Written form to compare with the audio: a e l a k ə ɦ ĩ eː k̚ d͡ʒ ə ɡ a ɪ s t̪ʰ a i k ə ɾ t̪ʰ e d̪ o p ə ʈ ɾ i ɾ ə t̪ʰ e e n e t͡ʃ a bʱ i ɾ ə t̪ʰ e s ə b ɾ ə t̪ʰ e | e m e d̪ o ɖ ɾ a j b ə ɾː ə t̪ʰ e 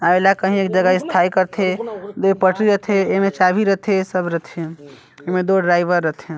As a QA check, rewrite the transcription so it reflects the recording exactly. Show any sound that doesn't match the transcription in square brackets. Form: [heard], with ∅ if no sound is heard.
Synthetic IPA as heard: a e l a k ə ɦ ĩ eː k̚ d͡ʒ ə ɡ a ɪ s t̪ʰ a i k ə ɾ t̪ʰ e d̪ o p ə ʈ ɾ i ɾ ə t̪ʰ e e [m] e t͡ʃ a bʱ i ɾ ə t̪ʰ e s ə b ɾ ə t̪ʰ e | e m e d̪ o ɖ ɾ a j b ə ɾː ə t̪ʰ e